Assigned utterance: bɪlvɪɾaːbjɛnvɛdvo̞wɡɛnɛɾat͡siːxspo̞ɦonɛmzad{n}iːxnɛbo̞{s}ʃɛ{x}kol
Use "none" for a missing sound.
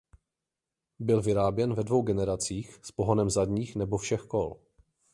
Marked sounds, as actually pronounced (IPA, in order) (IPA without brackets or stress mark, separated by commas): ɲ, f, x